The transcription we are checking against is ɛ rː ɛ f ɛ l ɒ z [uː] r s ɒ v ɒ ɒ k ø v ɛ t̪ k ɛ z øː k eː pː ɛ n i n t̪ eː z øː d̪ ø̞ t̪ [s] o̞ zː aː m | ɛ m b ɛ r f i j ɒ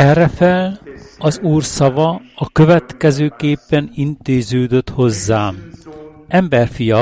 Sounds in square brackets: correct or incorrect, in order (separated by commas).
correct, incorrect